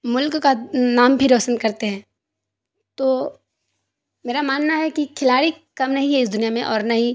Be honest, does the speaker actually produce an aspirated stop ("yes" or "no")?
yes